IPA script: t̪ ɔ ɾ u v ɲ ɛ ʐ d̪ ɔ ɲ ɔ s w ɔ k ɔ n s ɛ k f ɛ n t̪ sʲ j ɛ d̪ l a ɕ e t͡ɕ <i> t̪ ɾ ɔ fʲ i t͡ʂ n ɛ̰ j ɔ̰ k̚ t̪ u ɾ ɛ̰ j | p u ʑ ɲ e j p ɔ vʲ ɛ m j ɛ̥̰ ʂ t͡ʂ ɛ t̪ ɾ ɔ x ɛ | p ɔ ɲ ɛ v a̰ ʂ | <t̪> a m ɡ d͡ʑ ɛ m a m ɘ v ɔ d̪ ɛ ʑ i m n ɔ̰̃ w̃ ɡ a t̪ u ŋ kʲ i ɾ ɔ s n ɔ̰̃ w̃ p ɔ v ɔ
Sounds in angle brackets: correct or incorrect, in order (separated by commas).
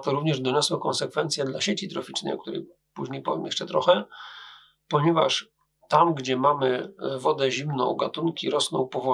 correct, correct